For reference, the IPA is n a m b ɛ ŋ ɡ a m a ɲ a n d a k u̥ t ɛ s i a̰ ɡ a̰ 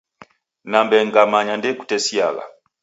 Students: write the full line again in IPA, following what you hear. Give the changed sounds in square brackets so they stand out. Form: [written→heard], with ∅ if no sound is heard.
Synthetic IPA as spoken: n a m b ɛ ŋ ɡ a m a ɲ a n d [a→ɛ] k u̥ t ɛ s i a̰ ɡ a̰